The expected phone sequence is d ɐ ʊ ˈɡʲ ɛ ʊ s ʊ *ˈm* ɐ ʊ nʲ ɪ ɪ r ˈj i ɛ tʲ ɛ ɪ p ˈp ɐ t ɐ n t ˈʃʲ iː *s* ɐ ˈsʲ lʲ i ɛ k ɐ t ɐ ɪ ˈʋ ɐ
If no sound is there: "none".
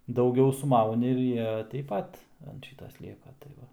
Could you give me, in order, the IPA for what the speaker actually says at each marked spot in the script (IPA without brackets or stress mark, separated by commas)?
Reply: m, t